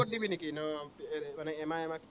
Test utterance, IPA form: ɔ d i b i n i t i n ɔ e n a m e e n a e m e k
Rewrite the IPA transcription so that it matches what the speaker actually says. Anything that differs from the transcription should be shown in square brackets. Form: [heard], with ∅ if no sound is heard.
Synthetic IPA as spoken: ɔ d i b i n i [k] i n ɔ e [m] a [n] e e [m] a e m [a] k

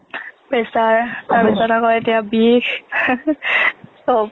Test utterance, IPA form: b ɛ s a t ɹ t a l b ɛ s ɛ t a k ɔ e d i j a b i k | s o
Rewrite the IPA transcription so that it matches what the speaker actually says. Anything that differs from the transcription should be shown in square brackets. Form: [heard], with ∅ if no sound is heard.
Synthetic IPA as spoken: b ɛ s a [∅] ɹ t a [ɹ] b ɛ s [a] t a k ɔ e [t] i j a b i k | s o

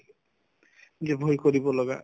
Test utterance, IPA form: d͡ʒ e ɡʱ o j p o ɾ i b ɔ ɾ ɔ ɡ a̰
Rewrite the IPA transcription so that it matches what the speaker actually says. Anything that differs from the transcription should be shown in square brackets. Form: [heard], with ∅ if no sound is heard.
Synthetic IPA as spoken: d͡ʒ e [bʱ] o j [k] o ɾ i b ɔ [l] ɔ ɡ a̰

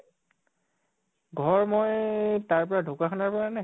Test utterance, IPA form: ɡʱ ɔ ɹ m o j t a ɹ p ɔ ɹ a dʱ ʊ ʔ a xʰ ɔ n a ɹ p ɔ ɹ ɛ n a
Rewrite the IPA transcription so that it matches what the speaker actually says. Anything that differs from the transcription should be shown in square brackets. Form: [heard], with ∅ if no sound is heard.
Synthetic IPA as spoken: ɡʱ ɔ ɹ m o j t a ɹ p ɔ ɹ a dʱ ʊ [k] a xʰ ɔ n a ɹ p ɔ ɹ [a] n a

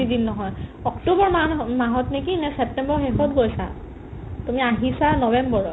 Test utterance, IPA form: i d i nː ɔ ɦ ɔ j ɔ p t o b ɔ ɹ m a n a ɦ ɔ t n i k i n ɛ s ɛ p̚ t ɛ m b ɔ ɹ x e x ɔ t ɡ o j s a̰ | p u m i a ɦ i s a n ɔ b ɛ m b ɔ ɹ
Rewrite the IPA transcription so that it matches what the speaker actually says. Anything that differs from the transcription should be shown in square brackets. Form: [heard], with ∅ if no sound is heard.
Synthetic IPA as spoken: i d i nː ɔ ɦ ɔ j ɔ [k] t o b ɔ ɹ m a [m] a ɦ ɔ t n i k i n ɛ s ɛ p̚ t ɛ m b ɔ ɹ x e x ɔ t ɡ o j s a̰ | [t] u m i a ɦ i s a n ɔ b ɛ m b ɔ ɹ

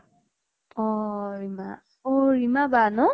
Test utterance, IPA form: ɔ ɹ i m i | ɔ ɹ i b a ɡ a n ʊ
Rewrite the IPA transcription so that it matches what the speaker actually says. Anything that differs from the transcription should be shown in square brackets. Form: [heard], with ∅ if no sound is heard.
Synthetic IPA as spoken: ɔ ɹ i m [a] | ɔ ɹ i [m] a [b] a n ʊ

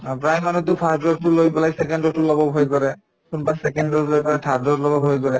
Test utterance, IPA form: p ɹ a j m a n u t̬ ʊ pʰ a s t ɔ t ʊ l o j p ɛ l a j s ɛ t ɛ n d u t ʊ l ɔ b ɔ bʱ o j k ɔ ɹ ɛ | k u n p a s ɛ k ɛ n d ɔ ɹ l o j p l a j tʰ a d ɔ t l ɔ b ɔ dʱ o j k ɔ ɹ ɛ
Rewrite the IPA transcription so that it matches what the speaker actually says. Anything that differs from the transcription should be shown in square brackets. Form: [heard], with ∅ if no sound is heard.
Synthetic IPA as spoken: p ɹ a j m a n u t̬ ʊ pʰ a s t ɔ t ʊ l o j p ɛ l a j s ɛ [k] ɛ n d [ɔ] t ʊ l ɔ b ɔ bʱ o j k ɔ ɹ ɛ | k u n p a s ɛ k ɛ n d ɔ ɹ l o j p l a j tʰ a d ɔ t l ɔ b ɔ [bʱ] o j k ɔ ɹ ɛ

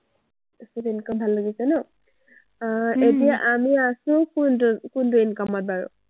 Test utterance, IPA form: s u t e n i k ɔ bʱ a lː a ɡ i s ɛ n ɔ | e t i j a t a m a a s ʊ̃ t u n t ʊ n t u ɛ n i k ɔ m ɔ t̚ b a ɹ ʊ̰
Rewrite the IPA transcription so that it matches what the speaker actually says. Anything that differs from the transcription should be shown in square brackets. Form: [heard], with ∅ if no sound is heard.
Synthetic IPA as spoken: s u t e n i k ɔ bʱ a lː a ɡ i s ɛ n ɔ | e t i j a [ʔ] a m [i] a s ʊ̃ [k] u n [k] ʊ n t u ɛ n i k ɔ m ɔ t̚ b a ɹ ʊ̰

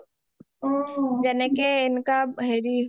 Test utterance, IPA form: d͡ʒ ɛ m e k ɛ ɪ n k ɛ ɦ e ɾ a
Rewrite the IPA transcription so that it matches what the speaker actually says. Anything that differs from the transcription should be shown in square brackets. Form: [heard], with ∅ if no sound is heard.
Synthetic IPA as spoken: d͡ʒ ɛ [n] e k [e] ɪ n k [a] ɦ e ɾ [i]

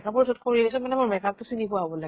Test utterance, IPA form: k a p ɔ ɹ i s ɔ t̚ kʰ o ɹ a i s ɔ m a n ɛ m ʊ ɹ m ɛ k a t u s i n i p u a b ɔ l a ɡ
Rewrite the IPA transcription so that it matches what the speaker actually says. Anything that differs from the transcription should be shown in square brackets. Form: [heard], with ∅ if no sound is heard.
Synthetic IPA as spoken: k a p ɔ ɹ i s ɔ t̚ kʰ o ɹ [i] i s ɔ m a n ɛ m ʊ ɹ m ɛ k a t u s i n i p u a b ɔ l a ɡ

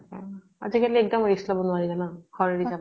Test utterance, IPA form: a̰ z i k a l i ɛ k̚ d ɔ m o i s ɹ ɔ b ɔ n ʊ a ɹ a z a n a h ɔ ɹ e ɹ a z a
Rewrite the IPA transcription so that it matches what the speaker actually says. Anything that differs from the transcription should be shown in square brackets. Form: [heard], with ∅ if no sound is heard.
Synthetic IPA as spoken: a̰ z i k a l i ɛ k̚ d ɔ m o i s [l] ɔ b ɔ n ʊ a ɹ [i] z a n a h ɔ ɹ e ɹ [i] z a

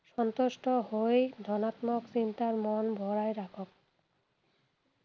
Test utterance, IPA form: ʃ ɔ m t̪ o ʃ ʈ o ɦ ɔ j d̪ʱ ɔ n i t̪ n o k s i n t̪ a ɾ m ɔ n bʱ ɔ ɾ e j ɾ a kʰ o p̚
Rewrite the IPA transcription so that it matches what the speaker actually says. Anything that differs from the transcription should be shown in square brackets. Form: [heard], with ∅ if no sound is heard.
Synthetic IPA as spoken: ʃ ɔ [n] t̪ o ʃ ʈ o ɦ [o] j d̪ʱ ɔ n [a] t̪ [m] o k s i n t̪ a ɾ m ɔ n bʱ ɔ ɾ [a] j ɾ a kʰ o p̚

